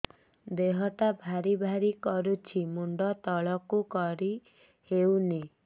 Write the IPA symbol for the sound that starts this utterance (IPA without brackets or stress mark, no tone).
d̪